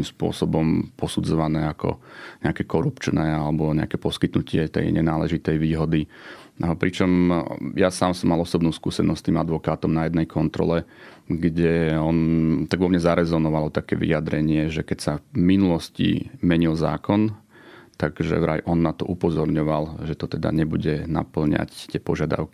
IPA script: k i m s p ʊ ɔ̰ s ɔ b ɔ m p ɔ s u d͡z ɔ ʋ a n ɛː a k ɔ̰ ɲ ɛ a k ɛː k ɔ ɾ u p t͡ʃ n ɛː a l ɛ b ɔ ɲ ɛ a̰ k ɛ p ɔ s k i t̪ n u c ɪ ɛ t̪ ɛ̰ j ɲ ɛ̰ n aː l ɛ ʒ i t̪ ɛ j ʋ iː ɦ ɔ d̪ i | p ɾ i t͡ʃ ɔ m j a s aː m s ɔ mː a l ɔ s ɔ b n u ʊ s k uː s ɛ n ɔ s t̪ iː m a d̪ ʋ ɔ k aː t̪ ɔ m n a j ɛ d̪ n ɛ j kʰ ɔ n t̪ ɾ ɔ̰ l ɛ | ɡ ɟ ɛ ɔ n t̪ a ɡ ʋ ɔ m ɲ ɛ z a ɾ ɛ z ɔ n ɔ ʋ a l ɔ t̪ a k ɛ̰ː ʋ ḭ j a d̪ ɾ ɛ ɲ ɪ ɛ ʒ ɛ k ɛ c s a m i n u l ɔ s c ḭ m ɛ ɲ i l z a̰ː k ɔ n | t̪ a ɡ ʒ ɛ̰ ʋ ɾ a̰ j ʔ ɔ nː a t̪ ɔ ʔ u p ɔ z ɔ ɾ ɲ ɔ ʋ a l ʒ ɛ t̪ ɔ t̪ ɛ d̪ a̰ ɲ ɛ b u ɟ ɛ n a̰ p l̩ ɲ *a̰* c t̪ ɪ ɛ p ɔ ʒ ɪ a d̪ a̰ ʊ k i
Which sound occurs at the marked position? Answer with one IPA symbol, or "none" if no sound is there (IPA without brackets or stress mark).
a̰